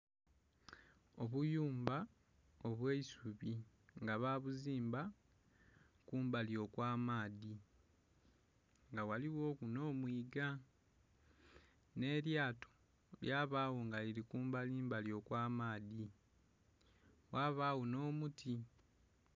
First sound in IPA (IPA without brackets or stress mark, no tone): o̞